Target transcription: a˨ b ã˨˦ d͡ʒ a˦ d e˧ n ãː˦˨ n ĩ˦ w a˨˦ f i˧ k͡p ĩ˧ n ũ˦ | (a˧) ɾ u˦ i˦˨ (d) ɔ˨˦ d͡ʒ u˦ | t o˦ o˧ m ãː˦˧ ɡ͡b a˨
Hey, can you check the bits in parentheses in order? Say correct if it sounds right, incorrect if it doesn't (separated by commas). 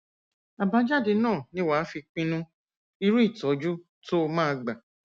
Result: incorrect, incorrect